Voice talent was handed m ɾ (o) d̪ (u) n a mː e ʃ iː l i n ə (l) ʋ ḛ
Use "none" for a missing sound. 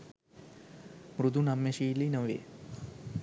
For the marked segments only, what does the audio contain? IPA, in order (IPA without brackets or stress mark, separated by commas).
u, u, none